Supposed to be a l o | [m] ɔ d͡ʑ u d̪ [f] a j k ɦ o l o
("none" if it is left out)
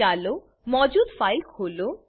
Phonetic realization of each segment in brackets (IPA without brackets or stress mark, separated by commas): m, f